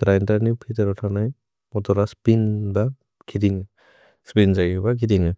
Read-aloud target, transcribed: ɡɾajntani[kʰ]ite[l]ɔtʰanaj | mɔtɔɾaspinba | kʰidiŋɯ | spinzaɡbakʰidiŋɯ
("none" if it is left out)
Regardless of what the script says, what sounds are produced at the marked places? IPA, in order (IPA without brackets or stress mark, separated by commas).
pʰ, ɾ